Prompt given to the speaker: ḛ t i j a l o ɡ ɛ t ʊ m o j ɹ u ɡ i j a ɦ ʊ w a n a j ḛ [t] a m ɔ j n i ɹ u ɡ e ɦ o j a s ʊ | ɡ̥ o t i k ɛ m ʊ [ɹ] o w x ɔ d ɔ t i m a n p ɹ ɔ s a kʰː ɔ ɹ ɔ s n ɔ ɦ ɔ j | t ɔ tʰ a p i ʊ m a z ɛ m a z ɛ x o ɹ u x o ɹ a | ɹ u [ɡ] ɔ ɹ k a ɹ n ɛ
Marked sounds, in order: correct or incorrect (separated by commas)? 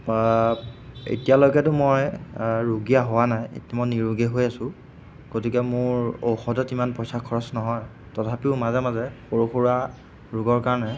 correct, correct, correct